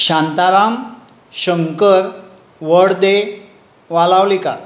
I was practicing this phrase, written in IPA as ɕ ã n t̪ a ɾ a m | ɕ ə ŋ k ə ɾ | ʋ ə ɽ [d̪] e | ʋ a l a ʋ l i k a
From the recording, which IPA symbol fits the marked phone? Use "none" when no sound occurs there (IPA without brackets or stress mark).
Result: d̪